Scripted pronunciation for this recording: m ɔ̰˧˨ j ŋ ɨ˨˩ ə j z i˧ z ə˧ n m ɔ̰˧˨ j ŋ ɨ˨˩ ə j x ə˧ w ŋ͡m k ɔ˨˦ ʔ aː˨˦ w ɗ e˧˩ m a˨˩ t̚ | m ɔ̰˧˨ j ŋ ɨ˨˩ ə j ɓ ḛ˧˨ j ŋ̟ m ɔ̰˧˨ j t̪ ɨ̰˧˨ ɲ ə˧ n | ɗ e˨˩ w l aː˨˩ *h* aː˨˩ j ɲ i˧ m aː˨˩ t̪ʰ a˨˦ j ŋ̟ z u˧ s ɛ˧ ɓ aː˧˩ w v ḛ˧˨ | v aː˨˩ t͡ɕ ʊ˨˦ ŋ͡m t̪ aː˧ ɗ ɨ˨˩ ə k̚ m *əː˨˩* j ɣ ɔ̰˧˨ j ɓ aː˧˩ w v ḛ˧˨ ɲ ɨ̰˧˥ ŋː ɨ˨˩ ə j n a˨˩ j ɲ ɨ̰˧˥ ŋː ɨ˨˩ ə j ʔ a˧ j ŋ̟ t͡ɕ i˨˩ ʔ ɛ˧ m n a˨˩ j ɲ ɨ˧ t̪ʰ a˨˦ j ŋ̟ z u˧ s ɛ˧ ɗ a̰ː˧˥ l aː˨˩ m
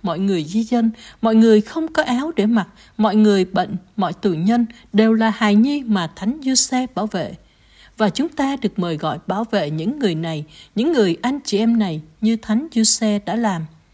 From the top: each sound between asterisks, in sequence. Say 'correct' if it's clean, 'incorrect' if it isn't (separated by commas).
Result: correct, correct